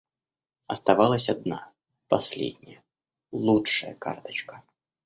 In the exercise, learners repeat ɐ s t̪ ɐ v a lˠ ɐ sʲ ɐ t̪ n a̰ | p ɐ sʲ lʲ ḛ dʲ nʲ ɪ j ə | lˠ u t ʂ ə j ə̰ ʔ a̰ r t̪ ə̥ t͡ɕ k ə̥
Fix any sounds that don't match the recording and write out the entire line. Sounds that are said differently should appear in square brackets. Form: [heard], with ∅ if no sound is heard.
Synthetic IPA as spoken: ɐ s t̪ ɐ v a lˠ [ə] sʲ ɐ [d̪] n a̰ | p ɐ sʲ lʲ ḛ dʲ nʲ ɪ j ə | lˠ u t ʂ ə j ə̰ [k] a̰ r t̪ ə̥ t͡ɕ k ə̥